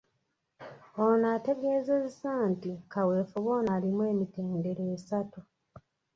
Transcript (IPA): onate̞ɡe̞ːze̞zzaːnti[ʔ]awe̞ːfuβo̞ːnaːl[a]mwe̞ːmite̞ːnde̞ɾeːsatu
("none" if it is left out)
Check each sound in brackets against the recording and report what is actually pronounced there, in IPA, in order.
k, i

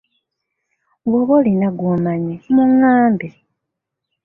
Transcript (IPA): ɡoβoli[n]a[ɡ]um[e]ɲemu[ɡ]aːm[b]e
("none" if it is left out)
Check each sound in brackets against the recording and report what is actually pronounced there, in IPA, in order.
n, ɡ, a, ŋ, b

